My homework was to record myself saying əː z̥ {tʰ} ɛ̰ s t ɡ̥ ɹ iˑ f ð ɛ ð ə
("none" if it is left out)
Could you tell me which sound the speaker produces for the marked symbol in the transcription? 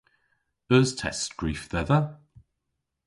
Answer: tʰ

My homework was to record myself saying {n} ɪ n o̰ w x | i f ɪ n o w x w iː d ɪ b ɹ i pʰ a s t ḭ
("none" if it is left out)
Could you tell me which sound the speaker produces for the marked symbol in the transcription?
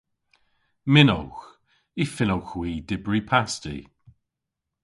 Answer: m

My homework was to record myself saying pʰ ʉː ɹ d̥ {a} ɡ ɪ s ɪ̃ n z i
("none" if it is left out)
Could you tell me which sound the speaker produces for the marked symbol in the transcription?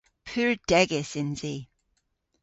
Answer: ɛ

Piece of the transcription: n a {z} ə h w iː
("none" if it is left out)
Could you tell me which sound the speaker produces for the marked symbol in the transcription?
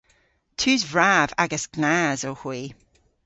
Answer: z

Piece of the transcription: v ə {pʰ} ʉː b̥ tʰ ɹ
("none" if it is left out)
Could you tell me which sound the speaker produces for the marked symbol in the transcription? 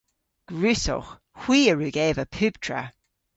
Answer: pʰ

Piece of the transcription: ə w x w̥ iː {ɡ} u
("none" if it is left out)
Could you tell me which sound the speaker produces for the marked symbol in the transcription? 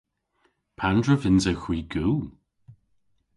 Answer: ɡ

